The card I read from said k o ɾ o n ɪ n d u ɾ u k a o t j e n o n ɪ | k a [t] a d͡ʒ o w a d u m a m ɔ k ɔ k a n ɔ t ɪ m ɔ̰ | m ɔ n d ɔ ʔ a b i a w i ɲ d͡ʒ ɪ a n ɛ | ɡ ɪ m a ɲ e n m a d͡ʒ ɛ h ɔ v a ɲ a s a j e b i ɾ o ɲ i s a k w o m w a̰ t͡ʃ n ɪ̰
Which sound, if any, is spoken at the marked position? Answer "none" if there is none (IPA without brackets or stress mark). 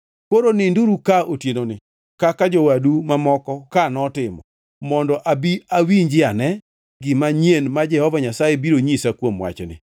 k